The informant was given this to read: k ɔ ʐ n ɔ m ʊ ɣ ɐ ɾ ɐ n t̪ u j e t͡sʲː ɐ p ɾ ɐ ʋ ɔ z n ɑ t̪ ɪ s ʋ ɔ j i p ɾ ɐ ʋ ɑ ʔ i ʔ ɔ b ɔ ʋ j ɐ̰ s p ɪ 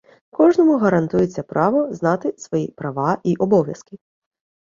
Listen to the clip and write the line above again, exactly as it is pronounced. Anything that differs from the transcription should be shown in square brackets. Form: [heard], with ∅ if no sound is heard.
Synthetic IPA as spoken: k ɔ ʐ n ɔ m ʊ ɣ ɐ ɾ ɐ n t̪ u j e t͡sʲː ɐ p ɾ [ɑ] ʋ ɔ z n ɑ t̪ ɪ s ʋ ɔ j i p ɾ ɐ ʋ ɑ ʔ i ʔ ɔ b ɔ ʋ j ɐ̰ s [k] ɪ